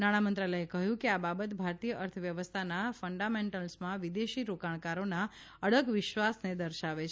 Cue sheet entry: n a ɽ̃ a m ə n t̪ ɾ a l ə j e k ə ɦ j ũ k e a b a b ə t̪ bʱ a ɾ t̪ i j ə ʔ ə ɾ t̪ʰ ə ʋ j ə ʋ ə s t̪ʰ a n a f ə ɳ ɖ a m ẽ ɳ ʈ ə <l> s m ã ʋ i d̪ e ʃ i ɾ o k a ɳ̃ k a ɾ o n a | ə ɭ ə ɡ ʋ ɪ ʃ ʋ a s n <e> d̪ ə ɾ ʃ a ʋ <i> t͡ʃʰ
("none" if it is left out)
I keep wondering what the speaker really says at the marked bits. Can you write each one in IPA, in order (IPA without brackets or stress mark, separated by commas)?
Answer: l, e, e